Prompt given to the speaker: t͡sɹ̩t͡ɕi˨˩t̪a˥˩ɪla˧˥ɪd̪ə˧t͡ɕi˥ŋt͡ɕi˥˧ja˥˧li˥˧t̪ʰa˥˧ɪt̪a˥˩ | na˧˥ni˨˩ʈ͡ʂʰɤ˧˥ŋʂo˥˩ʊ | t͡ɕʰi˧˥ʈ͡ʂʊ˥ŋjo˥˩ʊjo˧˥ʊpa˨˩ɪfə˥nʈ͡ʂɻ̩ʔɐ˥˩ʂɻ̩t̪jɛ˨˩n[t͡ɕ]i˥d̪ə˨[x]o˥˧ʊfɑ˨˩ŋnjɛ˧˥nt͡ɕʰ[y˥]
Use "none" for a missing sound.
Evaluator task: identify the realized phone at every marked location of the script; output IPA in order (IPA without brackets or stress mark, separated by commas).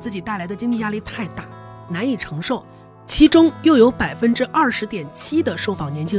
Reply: t͡ɕʰ, ʂ, i˥